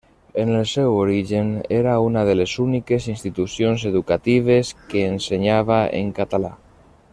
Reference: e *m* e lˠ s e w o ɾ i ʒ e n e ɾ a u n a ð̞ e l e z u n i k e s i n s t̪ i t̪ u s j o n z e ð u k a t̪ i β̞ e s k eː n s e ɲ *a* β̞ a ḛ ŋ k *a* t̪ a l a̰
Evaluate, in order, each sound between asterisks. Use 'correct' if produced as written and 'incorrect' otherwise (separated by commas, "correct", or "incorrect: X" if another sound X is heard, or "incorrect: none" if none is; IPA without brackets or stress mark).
incorrect: n, correct, correct